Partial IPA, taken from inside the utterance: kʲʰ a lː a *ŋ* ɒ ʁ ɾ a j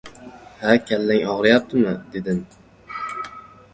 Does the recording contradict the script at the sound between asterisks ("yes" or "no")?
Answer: no